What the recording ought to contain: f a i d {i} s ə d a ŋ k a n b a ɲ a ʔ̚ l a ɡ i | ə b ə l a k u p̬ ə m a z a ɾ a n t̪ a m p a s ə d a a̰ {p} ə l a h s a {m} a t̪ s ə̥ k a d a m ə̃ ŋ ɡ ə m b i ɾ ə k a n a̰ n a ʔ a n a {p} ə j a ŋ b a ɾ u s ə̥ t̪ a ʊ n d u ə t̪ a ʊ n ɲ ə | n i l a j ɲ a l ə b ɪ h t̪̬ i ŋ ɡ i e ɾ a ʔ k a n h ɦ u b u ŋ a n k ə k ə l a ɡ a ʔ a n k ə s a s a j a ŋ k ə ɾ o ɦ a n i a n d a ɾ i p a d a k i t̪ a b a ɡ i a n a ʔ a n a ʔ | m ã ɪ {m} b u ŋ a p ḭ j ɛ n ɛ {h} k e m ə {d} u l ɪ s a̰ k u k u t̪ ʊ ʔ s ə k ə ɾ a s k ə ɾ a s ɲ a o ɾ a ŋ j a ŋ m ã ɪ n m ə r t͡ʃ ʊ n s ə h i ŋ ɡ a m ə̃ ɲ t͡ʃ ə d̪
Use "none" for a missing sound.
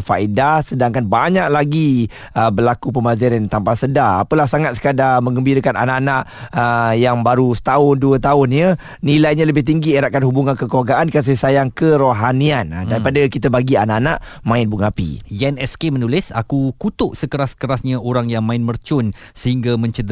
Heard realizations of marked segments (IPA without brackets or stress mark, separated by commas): a, p, ŋ, ʔ, n, s, n